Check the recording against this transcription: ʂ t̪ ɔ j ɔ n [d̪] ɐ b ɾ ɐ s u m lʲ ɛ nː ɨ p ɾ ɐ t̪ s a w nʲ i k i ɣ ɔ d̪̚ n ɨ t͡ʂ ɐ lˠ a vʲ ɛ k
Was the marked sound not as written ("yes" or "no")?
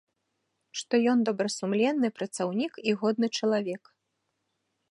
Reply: no